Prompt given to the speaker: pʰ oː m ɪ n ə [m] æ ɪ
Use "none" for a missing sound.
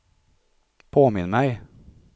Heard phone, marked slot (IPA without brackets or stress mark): m